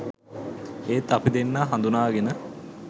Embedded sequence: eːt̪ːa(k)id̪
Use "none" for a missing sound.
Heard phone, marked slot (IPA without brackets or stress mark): p